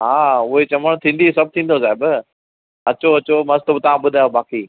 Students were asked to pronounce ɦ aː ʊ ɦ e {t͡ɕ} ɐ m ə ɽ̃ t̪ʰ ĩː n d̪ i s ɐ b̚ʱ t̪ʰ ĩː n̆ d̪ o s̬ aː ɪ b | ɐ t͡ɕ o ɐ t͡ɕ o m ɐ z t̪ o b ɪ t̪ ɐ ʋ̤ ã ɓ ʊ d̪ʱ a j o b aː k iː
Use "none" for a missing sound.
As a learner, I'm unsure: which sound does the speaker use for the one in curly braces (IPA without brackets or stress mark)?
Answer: t͡ɕ